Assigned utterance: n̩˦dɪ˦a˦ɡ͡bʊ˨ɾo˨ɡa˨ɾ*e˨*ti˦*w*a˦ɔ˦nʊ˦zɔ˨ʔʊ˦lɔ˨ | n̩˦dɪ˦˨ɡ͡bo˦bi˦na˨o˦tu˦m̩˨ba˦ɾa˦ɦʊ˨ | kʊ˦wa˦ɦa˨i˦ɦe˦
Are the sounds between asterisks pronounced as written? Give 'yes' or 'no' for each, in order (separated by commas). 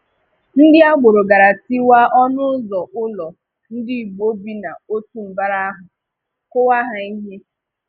no, yes